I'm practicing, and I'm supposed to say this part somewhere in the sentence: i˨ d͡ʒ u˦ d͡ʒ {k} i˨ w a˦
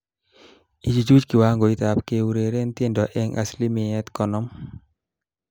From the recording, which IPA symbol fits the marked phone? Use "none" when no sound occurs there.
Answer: k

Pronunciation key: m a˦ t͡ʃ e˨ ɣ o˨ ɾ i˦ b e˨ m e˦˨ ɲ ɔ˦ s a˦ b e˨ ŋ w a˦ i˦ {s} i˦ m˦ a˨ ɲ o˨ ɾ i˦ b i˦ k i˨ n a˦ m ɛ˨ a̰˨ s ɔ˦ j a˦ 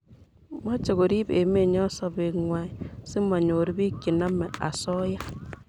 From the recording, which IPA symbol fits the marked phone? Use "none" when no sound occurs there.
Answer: s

